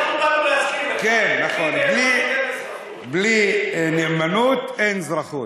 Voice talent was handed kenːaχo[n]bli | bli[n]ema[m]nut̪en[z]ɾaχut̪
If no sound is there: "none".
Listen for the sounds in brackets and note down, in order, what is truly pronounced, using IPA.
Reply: n, n, none, z

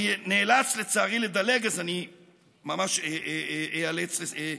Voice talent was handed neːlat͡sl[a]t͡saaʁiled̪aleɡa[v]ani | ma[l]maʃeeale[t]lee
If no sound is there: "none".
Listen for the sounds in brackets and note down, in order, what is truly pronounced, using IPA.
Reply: e, z, none, t͡s

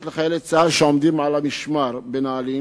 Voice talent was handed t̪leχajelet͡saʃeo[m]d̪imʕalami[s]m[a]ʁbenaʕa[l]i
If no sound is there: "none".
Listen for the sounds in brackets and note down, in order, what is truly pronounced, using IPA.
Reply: m, ʃ, a, l

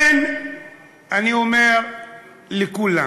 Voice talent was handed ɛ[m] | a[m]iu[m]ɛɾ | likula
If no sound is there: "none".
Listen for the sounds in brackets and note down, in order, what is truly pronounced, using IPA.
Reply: n, n, m

